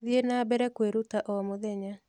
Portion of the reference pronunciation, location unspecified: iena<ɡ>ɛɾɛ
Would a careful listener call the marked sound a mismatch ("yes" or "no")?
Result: yes